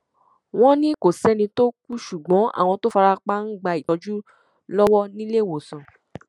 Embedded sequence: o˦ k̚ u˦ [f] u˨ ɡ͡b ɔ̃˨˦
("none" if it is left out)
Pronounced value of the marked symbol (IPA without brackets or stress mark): ʃ